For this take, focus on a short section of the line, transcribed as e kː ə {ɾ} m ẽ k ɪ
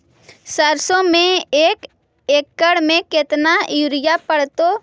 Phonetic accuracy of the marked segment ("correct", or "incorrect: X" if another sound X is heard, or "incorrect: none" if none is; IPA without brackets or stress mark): incorrect: ɽ